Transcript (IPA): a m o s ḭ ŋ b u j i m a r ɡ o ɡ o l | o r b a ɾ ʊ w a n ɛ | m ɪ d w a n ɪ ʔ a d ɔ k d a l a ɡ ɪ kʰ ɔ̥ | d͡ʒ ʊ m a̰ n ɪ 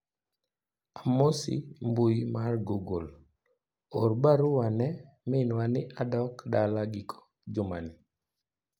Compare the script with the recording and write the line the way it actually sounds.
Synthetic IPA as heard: a m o s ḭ m b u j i m a r ɡ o ɡ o l | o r b a ɾ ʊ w a n ɛ | m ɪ n w a n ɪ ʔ a d ɔ k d a l a ɡ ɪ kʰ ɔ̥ | d͡ʒ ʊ m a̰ n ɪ